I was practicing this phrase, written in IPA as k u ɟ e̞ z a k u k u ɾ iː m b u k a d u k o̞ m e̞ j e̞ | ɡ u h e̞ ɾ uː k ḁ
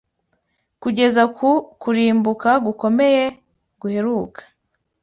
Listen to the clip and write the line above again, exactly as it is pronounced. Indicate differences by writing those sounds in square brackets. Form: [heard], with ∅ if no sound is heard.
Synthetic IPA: k u ɟ e̞ z a k u k u ɾ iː m b u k a [ɡ] u k o̞ m e̞ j e̞ | ɡ u h e̞ ɾ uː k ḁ